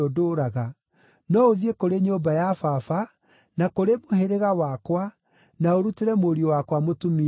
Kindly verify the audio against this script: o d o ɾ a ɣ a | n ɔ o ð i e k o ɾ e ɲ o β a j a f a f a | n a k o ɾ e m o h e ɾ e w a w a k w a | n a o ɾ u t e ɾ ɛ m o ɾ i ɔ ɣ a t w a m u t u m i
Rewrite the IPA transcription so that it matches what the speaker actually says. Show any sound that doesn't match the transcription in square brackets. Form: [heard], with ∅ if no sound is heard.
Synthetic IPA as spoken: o d o ɾ a ɣ a | n ɔ o ð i e k o ɾ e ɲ o [b] a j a f a f a | n a k o ɾ e m o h e ɾ e [ɣ] a w a k w a | n a o ɾ u t e ɾ ɛ m o ɾ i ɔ [w] a [k] w a m [o] t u m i